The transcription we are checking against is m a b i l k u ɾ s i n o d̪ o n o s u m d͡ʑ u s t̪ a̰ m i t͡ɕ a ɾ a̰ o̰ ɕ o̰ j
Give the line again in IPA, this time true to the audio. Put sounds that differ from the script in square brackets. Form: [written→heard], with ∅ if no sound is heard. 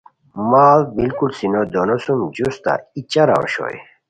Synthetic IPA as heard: m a b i l k u [ɾ→l] s i n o d̪ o n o s u m d͡ʑ u s t̪ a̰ [m→∅] i t͡ɕ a ɾ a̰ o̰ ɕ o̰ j